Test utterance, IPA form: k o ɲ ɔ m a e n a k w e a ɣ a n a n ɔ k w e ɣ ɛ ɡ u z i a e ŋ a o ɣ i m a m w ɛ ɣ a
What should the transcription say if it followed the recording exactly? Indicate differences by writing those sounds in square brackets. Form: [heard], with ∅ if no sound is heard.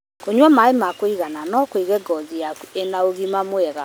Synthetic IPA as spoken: k o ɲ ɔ m a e [m] a k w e [i] ɣ a n a n ɔ k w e ɣ ɛ ɡ [ɔ] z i a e [n] a o ɣ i m a m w ɛ ɣ a